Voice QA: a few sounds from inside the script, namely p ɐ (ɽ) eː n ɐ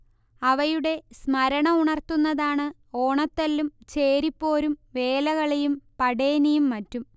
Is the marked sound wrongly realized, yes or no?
no